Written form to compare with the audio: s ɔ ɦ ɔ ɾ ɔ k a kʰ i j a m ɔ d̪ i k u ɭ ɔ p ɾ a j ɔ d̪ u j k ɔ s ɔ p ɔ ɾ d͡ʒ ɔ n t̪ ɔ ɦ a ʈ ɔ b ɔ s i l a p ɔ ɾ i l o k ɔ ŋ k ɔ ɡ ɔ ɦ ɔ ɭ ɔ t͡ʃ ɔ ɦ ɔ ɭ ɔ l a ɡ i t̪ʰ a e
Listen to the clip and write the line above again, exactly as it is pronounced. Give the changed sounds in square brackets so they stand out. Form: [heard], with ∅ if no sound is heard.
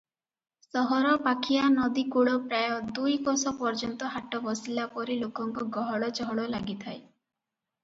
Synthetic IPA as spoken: s ɔ ɦ ɔ ɾ ɔ [p] a kʰ i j a [n] ɔ d̪ i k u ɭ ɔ p ɾ a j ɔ d̪ u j k ɔ s ɔ p ɔ ɾ d͡ʒ ɔ n t̪ ɔ ɦ a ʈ ɔ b ɔ s i l a p ɔ ɾ i l o k ɔ ŋ k ɔ ɡ ɔ ɦ ɔ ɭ ɔ t͡ʃ ɔ ɦ ɔ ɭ ɔ l a ɡ i t̪ʰ a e

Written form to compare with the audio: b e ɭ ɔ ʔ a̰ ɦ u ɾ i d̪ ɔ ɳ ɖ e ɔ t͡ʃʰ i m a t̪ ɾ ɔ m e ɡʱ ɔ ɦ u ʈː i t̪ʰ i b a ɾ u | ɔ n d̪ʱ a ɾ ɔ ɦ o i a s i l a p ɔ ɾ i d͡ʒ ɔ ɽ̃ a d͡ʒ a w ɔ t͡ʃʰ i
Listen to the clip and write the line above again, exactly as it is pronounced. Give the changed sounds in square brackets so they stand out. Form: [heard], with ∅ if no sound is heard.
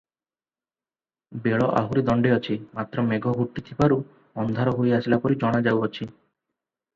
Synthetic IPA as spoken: b e ɭ ɔ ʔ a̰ ɦ u ɾ i d̪ ɔ ɳ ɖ e ɔ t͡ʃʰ i m a t̪ ɾ ɔ m e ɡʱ ɔ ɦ u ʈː i t̪ʰ i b a ɾ u | ɔ n d̪ʱ a ɾ ɔ ɦ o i a s i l a p ɔ ɾ i d͡ʒ ɔ ɽ̃ a d͡ʒ a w ɔ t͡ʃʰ i

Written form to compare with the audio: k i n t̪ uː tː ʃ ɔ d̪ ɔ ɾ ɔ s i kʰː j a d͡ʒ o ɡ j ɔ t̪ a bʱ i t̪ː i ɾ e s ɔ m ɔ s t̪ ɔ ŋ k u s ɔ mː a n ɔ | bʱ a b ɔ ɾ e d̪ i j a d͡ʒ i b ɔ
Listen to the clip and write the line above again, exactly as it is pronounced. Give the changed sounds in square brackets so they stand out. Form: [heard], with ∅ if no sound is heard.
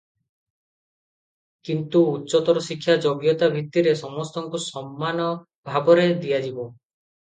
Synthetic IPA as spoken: k i n t̪ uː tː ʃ ɔ [t̪] ɔ ɾ ɔ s i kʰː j a d͡ʒ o ɡ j ɔ t̪ a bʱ i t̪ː i ɾ e s ɔ m ɔ s t̪ ɔ ŋ k u s ɔ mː a n ɔ | bʱ a b ɔ ɾ e d̪ i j a d͡ʒ i b ɔ

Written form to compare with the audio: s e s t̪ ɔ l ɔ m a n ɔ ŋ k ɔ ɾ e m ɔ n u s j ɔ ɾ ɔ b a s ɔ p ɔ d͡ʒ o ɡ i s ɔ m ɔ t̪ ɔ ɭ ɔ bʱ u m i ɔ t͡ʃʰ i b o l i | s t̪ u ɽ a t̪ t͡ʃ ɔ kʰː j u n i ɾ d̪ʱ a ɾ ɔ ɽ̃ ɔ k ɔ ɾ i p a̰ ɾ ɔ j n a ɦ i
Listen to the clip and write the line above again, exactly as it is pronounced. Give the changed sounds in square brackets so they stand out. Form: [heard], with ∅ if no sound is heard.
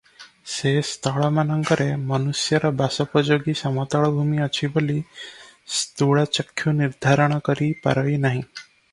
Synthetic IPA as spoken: s e s t̪ ɔ [ɭ] ɔ m a n ɔ ŋ k ɔ ɾ e m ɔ n u s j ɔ ɾ ɔ b a s ɔ p ɔ d͡ʒ o ɡ i s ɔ m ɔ t̪ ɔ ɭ ɔ bʱ u m i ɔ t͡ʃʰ i b o l i | s t̪ u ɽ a [∅] t͡ʃ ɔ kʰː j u n i ɾ d̪ʱ a ɾ ɔ ɽ̃ ɔ k ɔ ɾ i p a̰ ɾ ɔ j n a ɦ [ĩ]

